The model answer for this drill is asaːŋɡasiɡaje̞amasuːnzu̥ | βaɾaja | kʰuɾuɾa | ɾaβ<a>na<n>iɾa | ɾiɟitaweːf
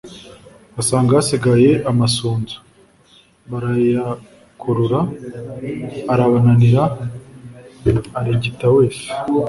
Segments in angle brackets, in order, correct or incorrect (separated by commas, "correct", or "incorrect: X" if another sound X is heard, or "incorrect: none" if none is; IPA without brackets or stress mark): correct, correct